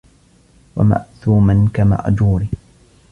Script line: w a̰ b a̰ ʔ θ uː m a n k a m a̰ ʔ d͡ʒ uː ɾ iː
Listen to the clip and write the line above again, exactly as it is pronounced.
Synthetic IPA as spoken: w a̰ m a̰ ʔ θ uː m a n k a m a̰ ʔ d͡ʒ uː ɾ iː